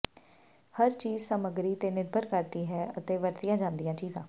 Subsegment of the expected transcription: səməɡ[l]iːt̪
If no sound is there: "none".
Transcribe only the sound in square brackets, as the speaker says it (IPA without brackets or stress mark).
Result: ɾ